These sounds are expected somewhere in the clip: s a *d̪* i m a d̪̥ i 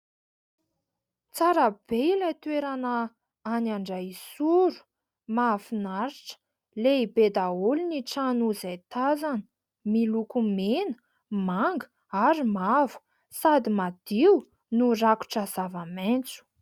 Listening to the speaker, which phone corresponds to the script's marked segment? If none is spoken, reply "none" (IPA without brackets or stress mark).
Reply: d̪